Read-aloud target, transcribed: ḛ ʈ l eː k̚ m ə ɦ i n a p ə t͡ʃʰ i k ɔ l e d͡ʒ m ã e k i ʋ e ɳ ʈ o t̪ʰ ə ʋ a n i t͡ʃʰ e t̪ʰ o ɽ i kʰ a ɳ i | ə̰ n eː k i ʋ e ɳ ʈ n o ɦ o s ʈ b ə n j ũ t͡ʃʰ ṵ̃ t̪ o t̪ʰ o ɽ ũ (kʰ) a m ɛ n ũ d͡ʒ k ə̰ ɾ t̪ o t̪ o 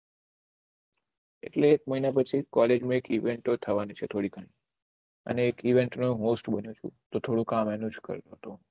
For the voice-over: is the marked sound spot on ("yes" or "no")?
no